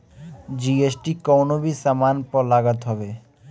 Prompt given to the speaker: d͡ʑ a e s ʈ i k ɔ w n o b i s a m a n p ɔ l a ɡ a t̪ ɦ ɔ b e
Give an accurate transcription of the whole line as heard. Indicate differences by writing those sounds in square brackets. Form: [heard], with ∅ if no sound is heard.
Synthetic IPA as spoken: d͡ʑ [i] e s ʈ i k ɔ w n o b i s a m a n p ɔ l a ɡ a t̪ ɦ ɔ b e